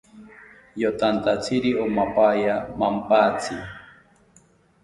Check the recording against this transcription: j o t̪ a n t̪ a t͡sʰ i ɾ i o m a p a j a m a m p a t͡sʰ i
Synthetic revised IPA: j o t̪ a n t̪ a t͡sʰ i ɾ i o m a p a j a m a m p a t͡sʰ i